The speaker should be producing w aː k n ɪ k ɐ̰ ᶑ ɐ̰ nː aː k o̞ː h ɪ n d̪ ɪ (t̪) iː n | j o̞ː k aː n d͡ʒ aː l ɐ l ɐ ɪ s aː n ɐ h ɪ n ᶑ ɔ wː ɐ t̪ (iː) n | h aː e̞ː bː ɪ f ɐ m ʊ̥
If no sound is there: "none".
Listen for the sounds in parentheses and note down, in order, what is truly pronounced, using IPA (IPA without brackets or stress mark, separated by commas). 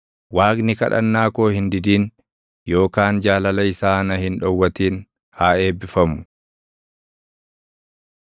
d̪, iː